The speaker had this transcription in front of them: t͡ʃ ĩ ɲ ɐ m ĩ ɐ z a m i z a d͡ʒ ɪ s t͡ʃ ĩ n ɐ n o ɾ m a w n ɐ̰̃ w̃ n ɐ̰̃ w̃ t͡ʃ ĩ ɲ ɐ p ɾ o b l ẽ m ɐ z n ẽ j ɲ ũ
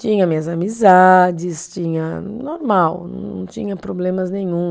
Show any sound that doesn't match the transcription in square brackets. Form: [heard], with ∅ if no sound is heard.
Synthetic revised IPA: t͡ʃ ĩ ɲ ɐ m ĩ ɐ z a m i z a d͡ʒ ɪ s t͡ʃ ĩ [ɲ] ɐ n o ɾ m a w n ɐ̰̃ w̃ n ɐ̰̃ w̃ t͡ʃ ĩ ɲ ɐ p ɾ o b l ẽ m ɐ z n ẽ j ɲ ũ